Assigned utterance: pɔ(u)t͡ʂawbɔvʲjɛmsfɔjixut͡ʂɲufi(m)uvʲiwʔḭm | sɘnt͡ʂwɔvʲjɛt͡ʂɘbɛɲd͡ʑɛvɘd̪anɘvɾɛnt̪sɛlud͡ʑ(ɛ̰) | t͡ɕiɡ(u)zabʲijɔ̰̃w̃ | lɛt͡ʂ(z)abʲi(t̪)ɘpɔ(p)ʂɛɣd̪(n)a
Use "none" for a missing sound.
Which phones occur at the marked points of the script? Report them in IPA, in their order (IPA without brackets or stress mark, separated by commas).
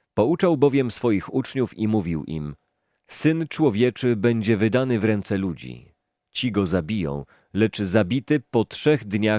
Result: u, m, ḭ, ɔ, z, t̪, t, ɲ